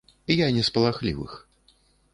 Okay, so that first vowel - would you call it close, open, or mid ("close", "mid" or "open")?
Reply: open